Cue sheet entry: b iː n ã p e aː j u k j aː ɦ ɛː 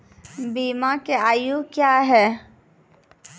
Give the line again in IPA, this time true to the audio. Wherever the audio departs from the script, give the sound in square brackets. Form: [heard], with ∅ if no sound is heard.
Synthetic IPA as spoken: b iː [m] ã [k] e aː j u k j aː ɦ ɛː